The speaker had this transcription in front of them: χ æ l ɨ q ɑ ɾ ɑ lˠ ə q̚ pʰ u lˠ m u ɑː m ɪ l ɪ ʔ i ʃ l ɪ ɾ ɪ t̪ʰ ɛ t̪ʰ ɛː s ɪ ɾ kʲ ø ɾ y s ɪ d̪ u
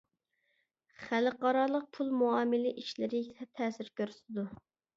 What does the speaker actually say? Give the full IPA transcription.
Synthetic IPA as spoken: χ æ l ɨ q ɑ ɾ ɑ lˠ ə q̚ pʰ u lˠ m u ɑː m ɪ l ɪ ʔ i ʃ l ɪ ɾ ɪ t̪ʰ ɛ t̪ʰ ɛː s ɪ ɾ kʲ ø ɾ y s ɪ d̪ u